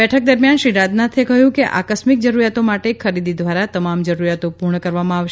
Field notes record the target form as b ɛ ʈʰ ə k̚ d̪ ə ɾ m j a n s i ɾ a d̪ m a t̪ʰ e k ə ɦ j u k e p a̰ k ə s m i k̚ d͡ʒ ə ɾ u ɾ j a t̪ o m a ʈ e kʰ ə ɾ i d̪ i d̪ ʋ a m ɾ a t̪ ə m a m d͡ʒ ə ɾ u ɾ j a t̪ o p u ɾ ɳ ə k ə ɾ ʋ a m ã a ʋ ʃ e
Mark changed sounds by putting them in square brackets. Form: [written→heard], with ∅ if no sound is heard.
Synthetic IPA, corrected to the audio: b ɛ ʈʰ ə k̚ d̪ ə ɾ m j a n [s→ʃ] i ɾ a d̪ [m→n] a t̪ʰ e k ə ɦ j [u→ũ] k e [p→ʔ] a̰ k ə s m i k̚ d͡ʒ ə ɾ u ɾ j a t̪ o m a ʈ e kʰ ə ɾ i d̪ i d̪ ʋ a [m→∅] ɾ a t̪ ə m a m d͡ʒ ə ɾ u ɾ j a t̪ o p u ɾ ɳ ə k ə ɾ ʋ a m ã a ʋ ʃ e